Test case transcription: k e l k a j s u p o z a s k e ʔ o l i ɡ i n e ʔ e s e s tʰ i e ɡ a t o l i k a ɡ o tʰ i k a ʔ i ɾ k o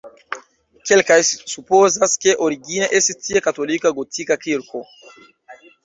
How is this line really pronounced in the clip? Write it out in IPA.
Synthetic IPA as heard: k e l k a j s u p o z a s k e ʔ o ɾ i ɡ i n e ʔ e s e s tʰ i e k a t o l i k a ɡ o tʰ i k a k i ɾ k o